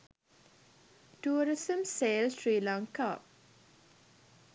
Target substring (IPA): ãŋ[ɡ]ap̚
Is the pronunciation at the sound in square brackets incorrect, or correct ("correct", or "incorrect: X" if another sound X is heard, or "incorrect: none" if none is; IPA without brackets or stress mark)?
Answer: incorrect: k